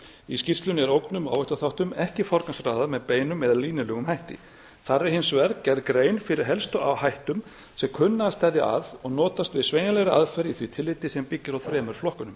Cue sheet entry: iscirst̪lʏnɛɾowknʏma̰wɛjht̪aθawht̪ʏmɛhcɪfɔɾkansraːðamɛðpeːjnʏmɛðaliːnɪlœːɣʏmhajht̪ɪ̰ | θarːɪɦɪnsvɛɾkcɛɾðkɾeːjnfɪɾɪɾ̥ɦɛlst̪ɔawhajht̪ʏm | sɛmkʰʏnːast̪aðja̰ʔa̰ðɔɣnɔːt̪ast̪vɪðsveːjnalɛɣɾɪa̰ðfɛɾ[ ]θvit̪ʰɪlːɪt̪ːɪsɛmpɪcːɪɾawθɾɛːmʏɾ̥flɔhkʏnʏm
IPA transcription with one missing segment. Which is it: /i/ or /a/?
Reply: i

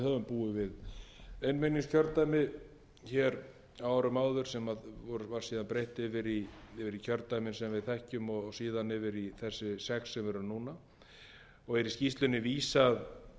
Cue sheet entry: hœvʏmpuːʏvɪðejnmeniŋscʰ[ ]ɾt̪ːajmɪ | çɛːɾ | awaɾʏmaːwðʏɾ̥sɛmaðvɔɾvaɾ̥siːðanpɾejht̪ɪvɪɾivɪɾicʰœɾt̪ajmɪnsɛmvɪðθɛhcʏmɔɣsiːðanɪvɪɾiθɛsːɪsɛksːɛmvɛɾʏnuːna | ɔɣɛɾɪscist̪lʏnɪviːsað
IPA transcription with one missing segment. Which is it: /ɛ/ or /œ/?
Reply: œ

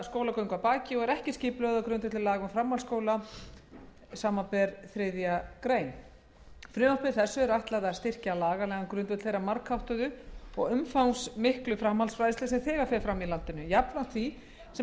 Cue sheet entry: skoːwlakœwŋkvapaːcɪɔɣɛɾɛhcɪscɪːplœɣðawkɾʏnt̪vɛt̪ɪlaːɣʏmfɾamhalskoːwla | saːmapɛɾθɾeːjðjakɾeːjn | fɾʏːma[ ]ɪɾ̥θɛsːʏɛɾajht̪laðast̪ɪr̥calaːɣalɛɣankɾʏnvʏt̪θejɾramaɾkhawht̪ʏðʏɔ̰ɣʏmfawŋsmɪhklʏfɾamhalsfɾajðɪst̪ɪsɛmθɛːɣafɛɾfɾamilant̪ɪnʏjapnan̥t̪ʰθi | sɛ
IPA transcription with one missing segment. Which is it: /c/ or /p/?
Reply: p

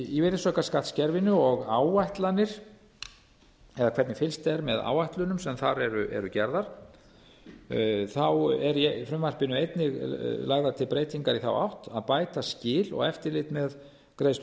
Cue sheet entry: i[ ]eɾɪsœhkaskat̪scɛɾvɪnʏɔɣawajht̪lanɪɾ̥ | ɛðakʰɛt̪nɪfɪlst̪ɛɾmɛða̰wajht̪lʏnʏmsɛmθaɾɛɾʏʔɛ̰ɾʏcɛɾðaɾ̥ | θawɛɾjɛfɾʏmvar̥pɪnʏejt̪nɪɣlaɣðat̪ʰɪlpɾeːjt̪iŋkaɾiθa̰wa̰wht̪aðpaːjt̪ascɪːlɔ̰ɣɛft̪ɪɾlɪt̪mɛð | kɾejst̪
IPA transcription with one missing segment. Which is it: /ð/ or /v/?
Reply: v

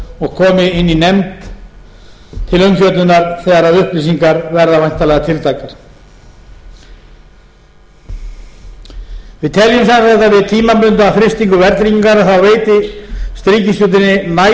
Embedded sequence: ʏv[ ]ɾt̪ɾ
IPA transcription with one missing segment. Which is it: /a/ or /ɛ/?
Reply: ɛ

